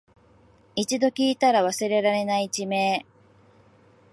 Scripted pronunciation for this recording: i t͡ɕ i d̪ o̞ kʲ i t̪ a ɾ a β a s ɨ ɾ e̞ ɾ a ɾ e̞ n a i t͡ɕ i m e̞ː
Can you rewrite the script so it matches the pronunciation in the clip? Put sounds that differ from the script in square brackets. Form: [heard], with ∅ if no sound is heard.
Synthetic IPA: i t͡ɕ i d̪ o̞ kʲ [iː] t̪ a ɾ a β a s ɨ ɾ e̞ ɾ a ɾ e̞ n a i t͡ɕ i m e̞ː